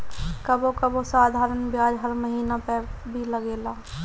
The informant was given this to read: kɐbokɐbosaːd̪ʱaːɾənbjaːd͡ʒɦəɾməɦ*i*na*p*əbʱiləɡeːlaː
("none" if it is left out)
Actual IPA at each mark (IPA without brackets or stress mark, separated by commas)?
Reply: iː, p